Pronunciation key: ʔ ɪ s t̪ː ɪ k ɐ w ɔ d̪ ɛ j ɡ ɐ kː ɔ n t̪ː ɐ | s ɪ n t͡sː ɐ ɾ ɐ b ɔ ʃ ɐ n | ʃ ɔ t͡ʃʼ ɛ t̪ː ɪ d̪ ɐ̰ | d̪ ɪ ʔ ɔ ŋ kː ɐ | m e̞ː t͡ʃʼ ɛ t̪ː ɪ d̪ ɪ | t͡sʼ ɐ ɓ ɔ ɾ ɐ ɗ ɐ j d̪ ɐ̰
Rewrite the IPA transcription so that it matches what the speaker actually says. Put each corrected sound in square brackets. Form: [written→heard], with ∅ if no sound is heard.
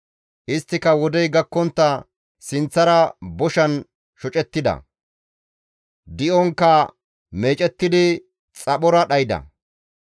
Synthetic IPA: ʔ ɪ s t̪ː ɪ k ɐ w ɔ d̪ ɛ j ɡ ɐ kː ɔ n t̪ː ɐ | s ɪ n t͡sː ɐ ɾ ɐ b ɔ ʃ ɐ n | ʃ ɔ t͡ʃʼ ɛ t̪ː ɪ d̪ ɐ̰ | d̪ ɪ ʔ ɔ ŋ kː ɐ | m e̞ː t͡ʃʼ ɛ t̪ː ɪ d̪ ɪ | t͡sʼ ɐ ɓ ɔ ɾ ɐ ɗ ɐ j d̪ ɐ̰